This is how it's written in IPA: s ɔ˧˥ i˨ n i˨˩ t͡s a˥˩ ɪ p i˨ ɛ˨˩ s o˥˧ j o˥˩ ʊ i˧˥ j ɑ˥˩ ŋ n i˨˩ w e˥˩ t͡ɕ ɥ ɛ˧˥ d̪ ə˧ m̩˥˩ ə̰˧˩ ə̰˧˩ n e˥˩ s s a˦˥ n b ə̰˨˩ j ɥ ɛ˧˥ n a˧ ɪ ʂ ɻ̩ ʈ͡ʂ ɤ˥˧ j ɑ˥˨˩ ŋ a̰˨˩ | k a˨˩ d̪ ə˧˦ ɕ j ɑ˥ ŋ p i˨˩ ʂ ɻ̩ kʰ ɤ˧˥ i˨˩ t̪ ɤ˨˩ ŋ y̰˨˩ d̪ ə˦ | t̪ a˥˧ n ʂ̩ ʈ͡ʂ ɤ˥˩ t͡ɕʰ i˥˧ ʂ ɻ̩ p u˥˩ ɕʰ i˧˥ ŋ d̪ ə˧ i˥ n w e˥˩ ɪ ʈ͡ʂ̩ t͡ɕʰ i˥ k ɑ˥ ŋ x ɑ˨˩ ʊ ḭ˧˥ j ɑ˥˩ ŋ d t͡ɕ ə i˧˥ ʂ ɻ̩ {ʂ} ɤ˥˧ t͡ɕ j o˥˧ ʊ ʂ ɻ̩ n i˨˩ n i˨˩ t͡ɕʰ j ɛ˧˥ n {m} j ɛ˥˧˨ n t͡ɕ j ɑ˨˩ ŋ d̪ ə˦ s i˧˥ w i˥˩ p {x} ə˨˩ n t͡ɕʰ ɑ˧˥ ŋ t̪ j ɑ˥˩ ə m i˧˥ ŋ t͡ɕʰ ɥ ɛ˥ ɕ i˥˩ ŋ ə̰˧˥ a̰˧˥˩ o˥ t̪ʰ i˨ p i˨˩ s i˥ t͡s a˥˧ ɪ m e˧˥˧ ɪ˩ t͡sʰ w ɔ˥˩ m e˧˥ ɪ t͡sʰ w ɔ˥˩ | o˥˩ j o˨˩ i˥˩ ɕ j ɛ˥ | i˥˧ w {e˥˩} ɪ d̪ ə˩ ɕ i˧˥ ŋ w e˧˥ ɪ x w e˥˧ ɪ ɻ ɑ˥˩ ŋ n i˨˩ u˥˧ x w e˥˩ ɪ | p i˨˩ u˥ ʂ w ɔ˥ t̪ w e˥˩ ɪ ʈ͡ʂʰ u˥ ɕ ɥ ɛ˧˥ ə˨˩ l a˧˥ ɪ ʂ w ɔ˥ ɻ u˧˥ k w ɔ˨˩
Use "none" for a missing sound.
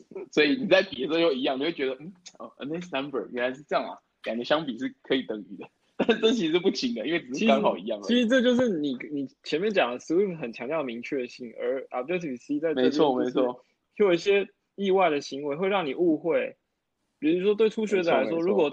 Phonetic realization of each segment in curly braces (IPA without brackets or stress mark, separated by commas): ʈ͡ʂ, m, x, a˥˩